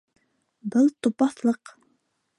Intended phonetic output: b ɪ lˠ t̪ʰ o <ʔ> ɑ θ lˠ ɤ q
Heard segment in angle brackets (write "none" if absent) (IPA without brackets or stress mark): p